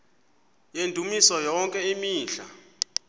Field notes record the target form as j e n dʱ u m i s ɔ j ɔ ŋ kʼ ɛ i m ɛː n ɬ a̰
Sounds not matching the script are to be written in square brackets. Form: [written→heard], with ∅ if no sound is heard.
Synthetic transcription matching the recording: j e n dʱ u m i s ɔ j ɔ ŋ kʼ ɛ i m [ɛː→iː] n ɬ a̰